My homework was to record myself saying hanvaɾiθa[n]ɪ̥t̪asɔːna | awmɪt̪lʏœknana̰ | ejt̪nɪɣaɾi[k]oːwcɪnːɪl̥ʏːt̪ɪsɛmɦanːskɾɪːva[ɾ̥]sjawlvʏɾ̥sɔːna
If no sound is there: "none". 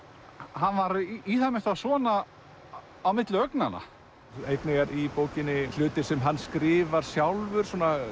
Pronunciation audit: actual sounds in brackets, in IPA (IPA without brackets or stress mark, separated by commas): m, p, ɾ̥